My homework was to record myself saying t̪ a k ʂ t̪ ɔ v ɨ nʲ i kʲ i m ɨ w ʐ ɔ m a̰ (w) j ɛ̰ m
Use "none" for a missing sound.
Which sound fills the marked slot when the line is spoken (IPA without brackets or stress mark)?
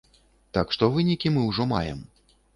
none